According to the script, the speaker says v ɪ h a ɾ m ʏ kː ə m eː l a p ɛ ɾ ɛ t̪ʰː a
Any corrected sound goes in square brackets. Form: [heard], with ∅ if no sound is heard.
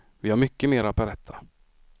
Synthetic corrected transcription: v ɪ h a ɾ m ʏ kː ə m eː [ɾ] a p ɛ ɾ ɛ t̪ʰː a